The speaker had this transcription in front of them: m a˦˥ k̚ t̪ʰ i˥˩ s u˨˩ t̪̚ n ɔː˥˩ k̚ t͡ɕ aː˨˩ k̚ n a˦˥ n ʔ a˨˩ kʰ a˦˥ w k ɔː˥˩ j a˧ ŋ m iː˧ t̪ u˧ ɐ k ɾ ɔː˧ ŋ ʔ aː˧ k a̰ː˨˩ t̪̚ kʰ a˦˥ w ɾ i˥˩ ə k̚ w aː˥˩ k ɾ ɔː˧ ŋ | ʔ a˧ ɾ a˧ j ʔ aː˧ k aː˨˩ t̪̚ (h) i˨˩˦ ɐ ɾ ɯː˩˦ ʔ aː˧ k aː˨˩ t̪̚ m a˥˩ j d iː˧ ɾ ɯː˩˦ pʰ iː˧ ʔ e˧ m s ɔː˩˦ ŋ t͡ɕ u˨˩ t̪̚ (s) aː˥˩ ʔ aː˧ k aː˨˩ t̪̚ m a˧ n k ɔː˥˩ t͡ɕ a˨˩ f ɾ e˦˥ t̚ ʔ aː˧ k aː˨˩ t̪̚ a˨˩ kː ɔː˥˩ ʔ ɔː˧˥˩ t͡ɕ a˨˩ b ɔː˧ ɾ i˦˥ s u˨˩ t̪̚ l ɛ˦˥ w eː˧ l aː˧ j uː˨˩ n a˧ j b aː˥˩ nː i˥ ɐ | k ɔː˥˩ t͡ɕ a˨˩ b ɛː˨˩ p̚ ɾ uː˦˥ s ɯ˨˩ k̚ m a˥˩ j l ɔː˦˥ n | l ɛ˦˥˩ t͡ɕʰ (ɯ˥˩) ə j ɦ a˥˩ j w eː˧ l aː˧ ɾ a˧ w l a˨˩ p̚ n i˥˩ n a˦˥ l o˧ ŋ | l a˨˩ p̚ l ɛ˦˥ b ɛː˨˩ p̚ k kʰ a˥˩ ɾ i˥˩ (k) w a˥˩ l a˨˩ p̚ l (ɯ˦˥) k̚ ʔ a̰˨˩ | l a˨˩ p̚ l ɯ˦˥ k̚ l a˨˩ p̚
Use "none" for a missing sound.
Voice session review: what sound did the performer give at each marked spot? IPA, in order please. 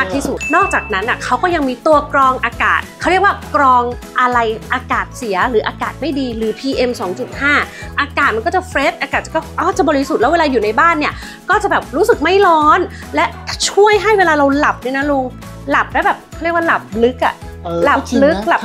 s, h, u˥˩, k, ɯ˦˥

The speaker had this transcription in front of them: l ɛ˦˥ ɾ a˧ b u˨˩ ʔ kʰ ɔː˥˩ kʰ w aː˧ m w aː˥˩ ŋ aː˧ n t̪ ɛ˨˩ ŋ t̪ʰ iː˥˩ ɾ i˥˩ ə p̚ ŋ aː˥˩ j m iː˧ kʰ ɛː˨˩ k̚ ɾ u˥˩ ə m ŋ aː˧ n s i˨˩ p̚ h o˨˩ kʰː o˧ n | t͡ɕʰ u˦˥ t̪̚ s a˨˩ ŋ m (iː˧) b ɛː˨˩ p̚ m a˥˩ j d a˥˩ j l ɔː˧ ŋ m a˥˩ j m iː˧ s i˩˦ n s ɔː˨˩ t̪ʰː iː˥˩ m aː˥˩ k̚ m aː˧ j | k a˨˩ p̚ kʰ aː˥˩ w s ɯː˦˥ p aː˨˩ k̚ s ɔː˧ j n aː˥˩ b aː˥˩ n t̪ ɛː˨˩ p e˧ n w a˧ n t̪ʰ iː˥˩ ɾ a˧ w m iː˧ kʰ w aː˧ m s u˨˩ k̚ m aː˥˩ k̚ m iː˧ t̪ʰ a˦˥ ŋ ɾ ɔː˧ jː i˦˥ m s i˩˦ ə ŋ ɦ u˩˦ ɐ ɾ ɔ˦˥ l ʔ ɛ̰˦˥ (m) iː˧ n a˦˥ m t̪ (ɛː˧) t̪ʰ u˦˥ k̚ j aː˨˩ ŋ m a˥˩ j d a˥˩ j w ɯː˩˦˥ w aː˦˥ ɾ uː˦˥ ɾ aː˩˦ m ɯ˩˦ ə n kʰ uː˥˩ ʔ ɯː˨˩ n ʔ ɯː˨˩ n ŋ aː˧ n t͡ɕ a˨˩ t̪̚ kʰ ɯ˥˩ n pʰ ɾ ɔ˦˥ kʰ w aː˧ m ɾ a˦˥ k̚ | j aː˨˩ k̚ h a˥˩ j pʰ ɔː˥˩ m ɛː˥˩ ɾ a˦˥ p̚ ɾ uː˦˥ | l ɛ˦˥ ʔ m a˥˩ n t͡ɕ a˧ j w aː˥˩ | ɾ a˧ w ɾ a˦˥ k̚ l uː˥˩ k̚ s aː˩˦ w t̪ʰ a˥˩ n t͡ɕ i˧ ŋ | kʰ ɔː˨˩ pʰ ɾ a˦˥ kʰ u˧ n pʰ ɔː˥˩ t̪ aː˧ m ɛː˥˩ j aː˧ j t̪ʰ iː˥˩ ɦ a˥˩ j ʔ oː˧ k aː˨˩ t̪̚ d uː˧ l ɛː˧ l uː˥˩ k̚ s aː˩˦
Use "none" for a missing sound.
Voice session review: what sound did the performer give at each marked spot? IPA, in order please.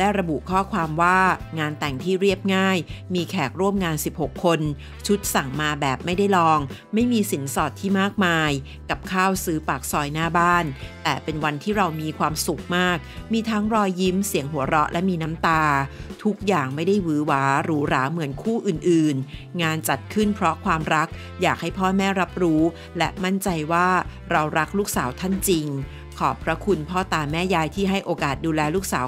aː˧, m, aː˧

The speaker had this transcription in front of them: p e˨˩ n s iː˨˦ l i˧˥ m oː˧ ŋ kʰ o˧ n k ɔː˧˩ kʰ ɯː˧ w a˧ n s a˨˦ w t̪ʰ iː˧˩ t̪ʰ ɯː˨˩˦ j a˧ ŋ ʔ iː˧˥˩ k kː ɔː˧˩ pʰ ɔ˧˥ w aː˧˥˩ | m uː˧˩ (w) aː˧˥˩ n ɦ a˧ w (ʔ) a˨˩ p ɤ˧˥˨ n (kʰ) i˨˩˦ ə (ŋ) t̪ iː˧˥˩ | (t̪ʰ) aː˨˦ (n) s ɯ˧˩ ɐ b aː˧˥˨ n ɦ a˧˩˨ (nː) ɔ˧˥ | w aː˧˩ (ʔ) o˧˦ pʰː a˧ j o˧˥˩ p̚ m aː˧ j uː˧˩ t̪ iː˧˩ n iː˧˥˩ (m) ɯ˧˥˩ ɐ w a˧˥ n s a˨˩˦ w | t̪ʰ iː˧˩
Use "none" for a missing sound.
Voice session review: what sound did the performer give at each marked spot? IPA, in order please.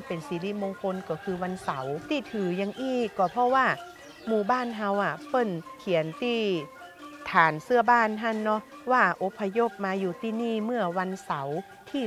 b, ʔ, kʰ, n, t̪ʰ, n, nː, ʔ, m

